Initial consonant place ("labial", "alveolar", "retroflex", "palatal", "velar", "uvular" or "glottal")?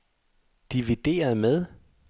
alveolar